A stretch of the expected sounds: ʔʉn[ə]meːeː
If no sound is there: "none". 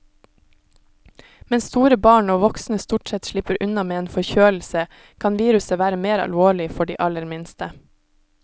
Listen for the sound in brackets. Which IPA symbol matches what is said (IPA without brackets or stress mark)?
ɑ